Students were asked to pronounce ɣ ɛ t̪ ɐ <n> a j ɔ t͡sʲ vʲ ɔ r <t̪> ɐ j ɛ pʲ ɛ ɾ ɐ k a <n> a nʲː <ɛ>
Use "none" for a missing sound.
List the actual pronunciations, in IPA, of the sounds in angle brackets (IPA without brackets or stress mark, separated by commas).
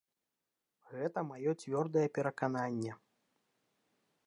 m, d̪, n, ɛ